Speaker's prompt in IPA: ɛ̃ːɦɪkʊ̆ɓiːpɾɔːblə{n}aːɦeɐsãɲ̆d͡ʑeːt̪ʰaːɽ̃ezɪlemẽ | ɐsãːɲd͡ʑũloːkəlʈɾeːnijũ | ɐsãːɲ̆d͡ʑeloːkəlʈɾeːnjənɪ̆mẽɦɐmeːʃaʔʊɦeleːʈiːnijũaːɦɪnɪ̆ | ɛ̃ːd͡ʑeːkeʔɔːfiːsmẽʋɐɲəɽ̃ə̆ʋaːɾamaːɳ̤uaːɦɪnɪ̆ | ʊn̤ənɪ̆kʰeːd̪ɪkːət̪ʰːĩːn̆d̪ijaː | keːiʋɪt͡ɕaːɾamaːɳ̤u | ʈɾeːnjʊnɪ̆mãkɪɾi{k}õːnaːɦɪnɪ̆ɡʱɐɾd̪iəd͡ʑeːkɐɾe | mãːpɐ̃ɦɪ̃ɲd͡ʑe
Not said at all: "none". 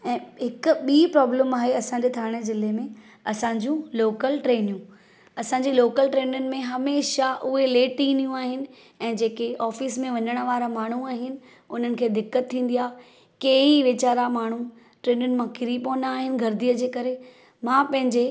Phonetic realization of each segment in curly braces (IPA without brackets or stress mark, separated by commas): m, p